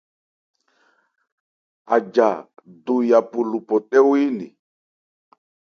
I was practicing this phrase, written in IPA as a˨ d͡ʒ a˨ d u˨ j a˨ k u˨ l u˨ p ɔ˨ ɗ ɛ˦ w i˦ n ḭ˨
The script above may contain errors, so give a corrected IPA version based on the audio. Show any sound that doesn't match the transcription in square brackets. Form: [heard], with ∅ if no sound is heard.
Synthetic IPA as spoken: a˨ d͡ʒ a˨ d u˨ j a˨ [p] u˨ l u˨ p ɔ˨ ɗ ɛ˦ w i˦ n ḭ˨